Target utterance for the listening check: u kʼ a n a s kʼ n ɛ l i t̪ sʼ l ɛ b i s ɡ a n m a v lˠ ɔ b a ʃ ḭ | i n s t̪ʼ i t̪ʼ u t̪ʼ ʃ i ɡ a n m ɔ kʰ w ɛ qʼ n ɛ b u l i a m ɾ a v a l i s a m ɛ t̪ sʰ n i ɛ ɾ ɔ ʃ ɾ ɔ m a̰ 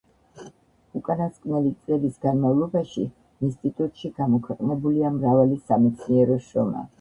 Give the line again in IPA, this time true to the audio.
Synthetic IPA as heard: u kʼ a n a s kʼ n ɛ l i t̪ sʼ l ɛ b i s ɡ a n m a v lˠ ɔ b a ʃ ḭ | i n s t̪ʼ i t̪ʼ u t̪ʼ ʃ i ɡ a m ɔ kʰ w ɛ qʼ n ɛ b u l i a m ɾ a v a l i s a m ɛ t̪ sʰ n i ɛ ɾ ɔ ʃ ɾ ɔ m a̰